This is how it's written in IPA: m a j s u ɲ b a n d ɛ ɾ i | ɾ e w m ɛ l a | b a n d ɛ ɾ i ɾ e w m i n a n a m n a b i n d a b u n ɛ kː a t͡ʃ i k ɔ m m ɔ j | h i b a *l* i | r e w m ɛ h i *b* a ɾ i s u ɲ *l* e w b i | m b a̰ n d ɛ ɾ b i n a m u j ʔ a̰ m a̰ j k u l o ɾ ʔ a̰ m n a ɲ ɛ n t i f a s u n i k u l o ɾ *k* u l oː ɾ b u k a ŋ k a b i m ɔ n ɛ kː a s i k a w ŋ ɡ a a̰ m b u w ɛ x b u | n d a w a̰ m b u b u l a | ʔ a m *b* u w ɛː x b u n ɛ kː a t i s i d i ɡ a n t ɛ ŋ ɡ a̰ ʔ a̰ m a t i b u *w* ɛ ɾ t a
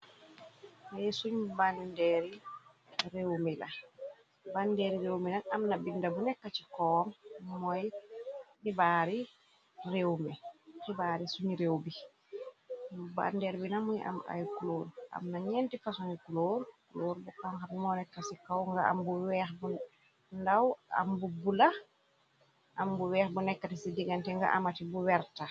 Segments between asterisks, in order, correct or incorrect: incorrect: ɾ, correct, incorrect: ɾ, correct, correct, correct

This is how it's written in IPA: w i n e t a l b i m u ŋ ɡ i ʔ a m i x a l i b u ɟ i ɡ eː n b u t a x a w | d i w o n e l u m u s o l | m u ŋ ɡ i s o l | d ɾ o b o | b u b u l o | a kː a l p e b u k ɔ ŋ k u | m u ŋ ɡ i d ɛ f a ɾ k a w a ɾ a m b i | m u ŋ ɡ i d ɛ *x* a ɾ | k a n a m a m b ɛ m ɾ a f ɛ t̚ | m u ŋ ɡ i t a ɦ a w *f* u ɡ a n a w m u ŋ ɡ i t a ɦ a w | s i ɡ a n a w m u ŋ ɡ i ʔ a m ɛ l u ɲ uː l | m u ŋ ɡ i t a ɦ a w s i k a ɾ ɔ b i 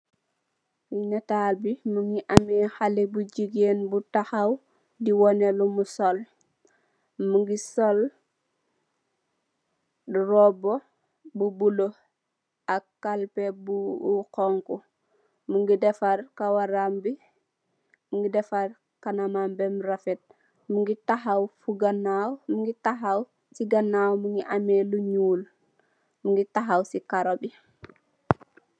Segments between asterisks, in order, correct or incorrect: incorrect: f, correct

